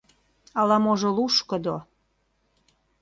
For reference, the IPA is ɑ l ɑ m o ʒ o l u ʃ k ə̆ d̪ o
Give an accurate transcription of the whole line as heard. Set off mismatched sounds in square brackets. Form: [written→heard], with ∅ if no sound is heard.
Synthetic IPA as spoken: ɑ l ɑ m o ʒ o l u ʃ k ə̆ d̪ o